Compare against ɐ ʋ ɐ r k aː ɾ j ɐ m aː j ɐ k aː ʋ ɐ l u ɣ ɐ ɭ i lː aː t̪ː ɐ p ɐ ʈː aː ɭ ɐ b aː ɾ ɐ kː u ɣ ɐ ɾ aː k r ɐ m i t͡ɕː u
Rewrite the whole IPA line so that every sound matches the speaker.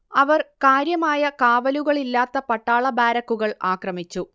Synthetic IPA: ɐ ʋ ɐ r k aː ɾ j ɐ m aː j ɐ k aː ʋ ɐ l u ɣ ɐ ɭ i lː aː t̪ː ɐ p ɐ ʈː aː ɭ ɐ b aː ɾ ɐ kː u ɣ ɐ ɭ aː k r ɐ m i t͡ɕː u